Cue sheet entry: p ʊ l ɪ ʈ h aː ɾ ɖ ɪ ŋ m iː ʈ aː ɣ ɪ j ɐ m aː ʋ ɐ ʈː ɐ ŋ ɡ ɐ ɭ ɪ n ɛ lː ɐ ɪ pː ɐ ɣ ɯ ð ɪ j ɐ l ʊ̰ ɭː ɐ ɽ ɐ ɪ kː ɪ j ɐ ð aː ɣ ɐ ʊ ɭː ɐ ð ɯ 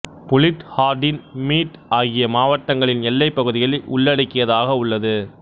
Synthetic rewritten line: p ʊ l ɪ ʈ h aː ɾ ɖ ɪ n m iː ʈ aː ɣ ɪ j ɐ m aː ʋ ɐ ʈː ɐ ŋ ɡ ɐ ɭ ɪ n ɛ lː ɐ ɪ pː ɐ ɣ ɯ ð ɪ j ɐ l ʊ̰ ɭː ɐ ɽ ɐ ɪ kː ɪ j ɐ ð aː ɣ ɐ ʊ ɭː ɐ ð ɯ